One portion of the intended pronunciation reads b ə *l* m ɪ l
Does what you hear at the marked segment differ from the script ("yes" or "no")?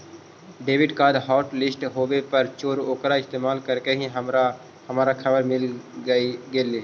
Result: yes